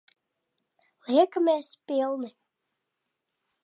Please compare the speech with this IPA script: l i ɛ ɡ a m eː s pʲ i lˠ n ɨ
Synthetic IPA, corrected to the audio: l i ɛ k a m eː s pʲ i lˠ n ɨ